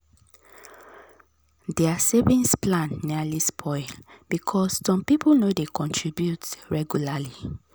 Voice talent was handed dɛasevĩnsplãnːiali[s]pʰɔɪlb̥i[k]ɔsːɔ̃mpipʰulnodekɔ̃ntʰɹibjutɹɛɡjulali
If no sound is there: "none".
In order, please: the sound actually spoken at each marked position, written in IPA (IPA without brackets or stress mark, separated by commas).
s, kʰ